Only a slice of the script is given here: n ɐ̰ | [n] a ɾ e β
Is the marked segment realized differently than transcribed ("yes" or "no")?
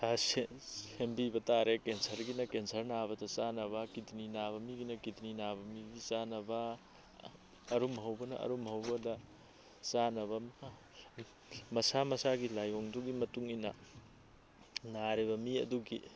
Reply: no